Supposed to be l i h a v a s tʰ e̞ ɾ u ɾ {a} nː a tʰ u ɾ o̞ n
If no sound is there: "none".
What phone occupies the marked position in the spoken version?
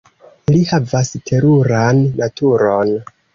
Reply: a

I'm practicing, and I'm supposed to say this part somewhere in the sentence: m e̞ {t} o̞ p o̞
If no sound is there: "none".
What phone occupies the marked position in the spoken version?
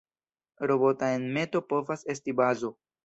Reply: t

